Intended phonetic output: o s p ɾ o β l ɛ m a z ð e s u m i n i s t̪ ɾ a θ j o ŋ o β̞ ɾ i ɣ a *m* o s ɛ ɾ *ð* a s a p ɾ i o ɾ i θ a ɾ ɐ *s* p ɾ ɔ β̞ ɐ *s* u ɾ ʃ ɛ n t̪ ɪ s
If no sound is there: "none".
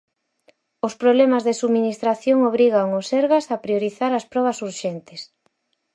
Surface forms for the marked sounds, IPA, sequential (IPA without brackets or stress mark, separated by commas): ŋ, ɣ, s, s